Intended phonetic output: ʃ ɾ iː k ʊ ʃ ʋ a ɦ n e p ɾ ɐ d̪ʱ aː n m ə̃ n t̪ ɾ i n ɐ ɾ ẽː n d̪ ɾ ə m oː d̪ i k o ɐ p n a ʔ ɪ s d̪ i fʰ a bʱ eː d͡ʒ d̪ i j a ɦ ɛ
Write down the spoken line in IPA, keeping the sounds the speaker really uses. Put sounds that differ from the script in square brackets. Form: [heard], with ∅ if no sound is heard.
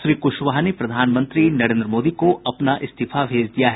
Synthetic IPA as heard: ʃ ɾ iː k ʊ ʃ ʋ a ɦ n e p ɾ ɐ d̪ʱ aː n m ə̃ n t̪ ɾ i n ɐ ɾ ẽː n d̪ ɾ ə m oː d̪ i k o ɐ p n a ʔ ɪ s [t̪] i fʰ a bʱ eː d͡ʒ d̪ i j a ɦ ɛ